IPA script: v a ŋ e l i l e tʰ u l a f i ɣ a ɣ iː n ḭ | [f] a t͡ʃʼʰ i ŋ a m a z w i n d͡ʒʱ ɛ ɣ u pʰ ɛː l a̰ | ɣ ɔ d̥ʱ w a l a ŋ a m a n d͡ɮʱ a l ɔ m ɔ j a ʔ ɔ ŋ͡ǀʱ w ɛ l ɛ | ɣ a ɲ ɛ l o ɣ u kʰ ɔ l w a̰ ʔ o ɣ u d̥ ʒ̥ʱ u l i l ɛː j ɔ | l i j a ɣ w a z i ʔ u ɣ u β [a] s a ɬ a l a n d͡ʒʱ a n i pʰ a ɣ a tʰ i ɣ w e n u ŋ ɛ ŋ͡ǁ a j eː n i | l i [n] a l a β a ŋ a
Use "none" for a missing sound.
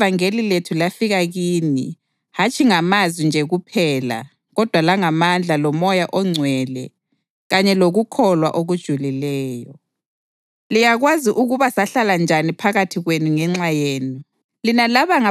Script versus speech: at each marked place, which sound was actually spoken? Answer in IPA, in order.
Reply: h, a, n

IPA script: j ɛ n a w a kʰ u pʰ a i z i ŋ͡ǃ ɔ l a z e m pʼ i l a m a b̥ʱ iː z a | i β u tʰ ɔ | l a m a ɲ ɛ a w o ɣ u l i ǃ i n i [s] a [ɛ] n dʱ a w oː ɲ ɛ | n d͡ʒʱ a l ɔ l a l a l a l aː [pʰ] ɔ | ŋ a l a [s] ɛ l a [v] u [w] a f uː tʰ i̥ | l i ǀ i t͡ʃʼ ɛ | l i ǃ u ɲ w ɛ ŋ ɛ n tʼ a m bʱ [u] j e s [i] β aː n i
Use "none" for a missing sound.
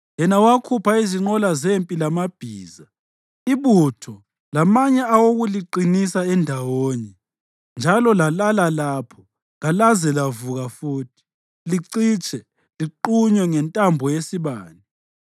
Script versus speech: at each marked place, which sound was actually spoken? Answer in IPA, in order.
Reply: s, ɛ, pʰ, z, v, ɣ, ɔ, i

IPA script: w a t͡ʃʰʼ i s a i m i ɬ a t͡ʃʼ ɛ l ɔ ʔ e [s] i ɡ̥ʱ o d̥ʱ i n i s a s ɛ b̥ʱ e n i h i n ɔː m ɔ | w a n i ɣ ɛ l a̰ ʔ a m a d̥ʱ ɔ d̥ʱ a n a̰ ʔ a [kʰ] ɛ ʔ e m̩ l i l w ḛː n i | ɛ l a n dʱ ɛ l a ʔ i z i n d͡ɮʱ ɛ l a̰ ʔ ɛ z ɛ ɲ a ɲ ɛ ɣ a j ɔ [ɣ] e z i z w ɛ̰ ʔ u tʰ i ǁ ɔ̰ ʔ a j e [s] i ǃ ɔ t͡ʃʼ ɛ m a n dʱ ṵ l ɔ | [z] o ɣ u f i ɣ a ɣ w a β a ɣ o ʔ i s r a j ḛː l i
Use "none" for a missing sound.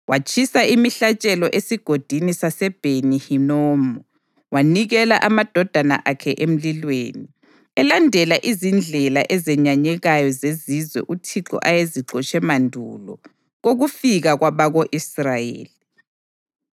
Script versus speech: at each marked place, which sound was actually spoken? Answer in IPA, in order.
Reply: s, kʰ, z, z, ɣ

